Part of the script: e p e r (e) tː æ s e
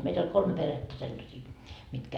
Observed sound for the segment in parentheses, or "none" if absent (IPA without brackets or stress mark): e